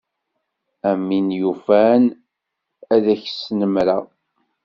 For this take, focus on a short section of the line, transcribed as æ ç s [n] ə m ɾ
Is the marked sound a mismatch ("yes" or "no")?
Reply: no